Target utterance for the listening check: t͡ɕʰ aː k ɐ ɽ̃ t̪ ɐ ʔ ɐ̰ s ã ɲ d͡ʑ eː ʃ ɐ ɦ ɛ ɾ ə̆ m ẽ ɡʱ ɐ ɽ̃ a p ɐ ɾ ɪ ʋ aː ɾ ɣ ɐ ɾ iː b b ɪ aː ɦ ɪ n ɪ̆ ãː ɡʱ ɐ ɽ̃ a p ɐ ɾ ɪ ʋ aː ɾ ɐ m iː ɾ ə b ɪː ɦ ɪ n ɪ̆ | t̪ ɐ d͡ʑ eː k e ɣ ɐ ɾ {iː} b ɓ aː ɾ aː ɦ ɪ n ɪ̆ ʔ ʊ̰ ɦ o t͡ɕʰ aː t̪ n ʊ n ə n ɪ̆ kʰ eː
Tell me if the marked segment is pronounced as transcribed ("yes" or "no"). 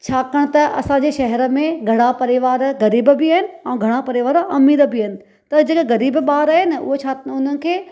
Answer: yes